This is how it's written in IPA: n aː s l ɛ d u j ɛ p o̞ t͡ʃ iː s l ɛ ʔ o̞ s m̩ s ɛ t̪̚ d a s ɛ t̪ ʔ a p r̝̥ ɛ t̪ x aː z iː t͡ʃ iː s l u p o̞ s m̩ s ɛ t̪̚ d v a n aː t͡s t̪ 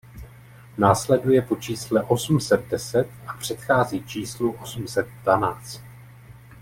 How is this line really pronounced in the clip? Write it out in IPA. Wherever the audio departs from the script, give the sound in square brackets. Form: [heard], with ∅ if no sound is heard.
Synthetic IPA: n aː s l ɛ d u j ɛ p o̞ t͡ʃ iː s l ɛ ʔ o̞ s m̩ s ɛ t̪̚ d [ɛ] s ɛ t̪ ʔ a p r̝̥ ɛ t̪ x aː z iː t͡ʃ iː s l u [ʔ] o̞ s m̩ s ɛ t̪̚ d v a n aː t͡s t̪